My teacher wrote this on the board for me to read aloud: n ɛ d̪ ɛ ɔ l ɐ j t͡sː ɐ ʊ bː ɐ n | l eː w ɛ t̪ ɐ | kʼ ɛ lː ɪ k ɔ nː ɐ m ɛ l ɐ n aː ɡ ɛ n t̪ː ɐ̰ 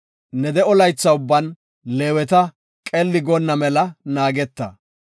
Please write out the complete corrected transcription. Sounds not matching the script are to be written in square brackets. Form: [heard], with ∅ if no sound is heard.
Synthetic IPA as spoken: n ɛ d̪ ɛ ɔ l ɐ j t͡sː ɐ ʊ bː ɐ n | l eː w ɛ t̪ ɐ | kʼ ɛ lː ɪ [ɡ] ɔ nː ɐ m ɛ l ɐ n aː ɡ ɛ [∅] t̪ː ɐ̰